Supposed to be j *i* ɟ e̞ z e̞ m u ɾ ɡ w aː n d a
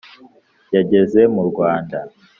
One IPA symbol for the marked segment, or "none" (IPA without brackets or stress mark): a